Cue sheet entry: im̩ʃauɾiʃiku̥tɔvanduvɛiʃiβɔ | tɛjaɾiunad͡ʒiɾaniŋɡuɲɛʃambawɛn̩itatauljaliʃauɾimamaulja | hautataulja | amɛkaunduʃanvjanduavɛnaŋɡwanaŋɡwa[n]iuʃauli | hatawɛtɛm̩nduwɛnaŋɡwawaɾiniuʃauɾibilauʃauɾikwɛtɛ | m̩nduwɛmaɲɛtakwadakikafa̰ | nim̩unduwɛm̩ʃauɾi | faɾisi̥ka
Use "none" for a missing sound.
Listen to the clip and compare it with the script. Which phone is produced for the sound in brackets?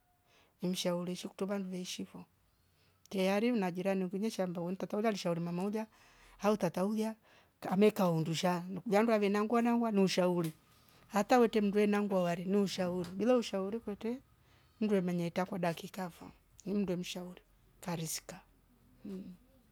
n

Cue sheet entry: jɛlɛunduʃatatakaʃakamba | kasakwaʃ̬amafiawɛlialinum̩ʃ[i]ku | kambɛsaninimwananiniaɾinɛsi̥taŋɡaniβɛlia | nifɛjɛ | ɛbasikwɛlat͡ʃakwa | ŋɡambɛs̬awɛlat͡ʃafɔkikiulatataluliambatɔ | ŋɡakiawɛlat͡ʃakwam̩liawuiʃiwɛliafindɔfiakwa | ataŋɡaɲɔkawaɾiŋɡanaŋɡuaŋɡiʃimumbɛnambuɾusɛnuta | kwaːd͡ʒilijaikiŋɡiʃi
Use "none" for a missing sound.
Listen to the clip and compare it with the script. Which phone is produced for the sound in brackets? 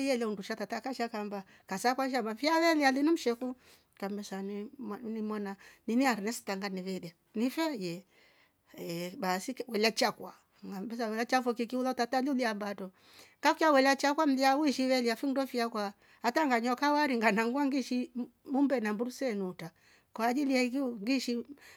ɛ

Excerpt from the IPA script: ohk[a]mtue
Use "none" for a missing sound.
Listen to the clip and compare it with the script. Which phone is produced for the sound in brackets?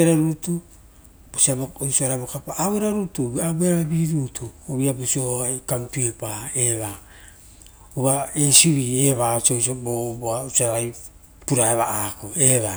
a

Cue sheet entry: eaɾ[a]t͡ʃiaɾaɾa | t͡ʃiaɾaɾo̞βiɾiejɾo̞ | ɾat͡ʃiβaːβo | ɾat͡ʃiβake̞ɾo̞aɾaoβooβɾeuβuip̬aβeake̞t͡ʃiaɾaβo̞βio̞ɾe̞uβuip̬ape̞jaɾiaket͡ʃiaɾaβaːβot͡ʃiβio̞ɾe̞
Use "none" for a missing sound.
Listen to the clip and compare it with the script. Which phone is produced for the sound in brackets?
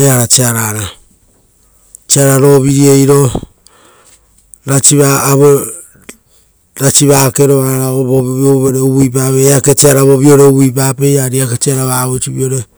a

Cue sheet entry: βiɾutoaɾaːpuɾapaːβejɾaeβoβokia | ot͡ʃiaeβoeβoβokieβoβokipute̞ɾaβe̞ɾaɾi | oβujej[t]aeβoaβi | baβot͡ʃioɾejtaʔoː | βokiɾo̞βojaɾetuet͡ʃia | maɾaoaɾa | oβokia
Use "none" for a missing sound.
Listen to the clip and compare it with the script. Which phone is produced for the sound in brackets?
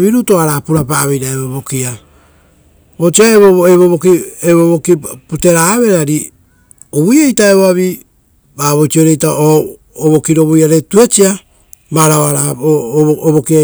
t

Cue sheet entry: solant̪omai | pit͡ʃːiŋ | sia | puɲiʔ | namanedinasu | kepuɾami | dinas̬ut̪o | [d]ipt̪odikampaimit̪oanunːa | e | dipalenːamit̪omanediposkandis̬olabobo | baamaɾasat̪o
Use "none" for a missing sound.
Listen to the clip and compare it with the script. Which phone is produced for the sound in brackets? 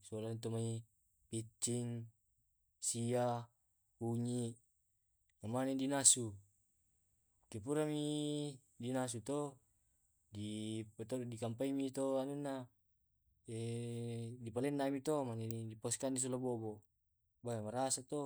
d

